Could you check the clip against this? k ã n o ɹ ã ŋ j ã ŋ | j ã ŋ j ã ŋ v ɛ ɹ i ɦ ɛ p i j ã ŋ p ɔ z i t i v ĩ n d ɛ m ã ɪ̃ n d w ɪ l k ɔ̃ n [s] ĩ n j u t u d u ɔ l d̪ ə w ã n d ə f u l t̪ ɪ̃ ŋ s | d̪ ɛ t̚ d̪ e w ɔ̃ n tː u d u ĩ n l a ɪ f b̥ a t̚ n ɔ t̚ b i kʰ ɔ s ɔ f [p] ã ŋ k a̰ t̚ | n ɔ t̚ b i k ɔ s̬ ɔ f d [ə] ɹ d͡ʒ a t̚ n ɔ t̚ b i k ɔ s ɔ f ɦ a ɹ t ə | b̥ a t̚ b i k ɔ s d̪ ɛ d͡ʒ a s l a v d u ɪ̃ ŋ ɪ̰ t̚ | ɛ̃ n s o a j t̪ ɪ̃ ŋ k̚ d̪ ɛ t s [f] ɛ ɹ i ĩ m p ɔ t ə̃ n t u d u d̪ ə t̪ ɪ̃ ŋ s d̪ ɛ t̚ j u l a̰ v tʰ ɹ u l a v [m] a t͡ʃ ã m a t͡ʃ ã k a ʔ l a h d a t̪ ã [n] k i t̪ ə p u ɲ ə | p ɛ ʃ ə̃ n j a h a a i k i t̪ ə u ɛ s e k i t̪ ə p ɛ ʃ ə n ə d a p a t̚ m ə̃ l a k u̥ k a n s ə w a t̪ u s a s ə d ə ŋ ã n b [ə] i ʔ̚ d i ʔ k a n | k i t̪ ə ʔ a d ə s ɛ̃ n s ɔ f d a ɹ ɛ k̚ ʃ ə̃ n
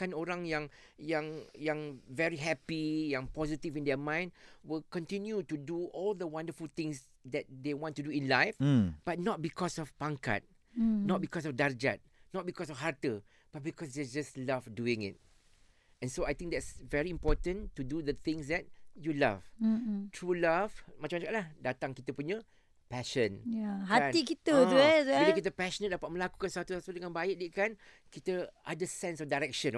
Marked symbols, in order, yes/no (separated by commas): no, yes, no, no, yes, no, no